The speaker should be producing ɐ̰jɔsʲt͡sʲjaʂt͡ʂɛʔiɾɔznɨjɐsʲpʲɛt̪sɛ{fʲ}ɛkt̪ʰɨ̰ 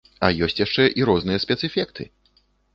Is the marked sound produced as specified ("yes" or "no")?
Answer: yes